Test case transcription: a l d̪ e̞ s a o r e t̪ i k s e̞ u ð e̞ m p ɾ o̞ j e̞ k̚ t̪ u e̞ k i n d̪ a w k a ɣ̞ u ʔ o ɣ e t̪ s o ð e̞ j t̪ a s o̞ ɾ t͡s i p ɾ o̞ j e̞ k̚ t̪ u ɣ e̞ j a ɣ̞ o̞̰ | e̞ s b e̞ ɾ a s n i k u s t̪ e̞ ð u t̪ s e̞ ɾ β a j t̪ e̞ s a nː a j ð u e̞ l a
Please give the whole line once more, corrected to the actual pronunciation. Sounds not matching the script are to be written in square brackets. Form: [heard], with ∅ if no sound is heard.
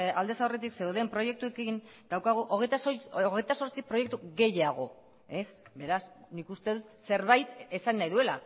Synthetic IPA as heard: a l d̪ e̞ s a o r e t̪ i k s e̞ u ð e̞ m p ɾ o̞ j e̞ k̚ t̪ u e̞ k i n d̪ a w k a ɣ̞ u ʔ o ɣ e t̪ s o [ɣ] e̞ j t̪ a s o̞ ɾ t͡s i p ɾ o̞ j e̞ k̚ t̪ u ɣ e̞ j a ɣ̞ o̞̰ | e̞ s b e̞ ɾ a s n i k u s t̪ e̞ ð u t̪ s e̞ ɾ β a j t̪ e̞ s a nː a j ð u e̞ l a